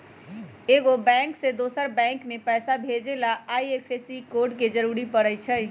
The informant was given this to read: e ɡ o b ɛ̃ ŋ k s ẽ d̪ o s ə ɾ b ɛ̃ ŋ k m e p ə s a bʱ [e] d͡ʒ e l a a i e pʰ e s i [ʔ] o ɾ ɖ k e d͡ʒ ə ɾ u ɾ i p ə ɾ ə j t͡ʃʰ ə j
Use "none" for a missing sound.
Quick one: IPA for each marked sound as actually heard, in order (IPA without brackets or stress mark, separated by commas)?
e, k